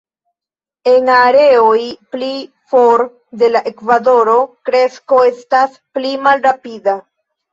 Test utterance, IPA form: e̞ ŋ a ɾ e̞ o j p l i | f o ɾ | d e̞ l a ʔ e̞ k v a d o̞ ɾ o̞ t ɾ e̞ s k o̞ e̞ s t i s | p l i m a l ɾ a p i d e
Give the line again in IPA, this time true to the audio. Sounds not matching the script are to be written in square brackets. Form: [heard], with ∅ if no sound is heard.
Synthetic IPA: e̞ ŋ a ɾ e̞ o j p l i | f o ɾ | d e̞ l a ʔ e̞ k v a d o̞ ɾ o̞ [k] ɾ e̞ s k o̞ e̞ s t [a] s | p l i m a l ɾ a p i d [a]